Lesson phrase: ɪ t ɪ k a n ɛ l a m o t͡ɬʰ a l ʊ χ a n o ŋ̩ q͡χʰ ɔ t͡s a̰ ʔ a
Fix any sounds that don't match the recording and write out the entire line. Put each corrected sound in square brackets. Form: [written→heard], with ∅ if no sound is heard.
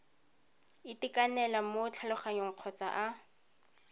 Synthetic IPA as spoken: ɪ t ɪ k a n ɛ l a m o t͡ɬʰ a l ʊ χ a [n→ɲ] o ŋ̩ q͡χʰ ɔ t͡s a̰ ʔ a